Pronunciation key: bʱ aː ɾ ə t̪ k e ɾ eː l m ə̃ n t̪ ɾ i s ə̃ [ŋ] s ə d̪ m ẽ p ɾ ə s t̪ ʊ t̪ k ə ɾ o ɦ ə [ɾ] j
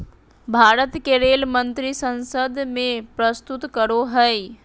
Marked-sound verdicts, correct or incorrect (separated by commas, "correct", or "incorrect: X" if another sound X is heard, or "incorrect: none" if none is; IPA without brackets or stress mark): incorrect: n, incorrect: none